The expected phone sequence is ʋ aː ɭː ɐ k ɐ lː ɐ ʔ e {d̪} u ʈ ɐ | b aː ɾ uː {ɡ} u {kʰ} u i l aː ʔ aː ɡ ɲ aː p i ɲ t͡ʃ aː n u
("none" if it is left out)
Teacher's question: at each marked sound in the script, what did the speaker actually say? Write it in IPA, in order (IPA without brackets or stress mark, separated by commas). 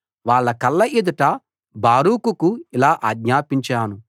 d̪, k, k